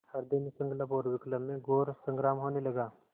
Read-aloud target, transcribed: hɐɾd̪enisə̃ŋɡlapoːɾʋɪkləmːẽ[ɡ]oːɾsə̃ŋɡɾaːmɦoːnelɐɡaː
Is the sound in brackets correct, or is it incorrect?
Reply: correct